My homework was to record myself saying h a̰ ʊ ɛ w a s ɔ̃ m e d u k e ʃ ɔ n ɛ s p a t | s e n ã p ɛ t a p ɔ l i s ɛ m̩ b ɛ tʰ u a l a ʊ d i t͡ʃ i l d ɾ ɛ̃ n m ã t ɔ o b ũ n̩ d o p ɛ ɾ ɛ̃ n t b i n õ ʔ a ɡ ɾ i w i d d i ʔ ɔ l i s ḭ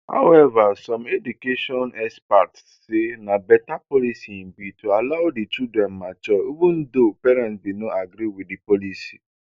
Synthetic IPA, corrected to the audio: h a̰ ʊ ɛ v a s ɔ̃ m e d u k e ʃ ɔ n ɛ s p a t | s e n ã b ɛ t a p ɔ l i s i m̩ b i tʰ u a l a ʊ d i t͡ʃ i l d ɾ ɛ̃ n m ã t͡ʃ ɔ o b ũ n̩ d o p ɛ ɾ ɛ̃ n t b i n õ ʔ a ɡ ɾ i w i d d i p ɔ l i s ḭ